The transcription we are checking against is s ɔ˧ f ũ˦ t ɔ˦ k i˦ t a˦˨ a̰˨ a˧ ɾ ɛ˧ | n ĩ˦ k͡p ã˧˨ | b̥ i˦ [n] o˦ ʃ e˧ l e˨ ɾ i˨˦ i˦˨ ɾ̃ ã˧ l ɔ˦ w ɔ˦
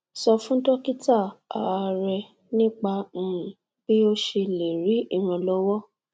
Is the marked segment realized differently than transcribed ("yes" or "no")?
yes